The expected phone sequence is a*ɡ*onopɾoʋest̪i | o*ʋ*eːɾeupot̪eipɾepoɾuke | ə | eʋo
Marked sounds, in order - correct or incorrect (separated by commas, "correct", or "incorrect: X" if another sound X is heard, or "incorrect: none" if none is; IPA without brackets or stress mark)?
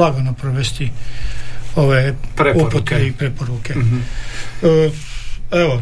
correct, correct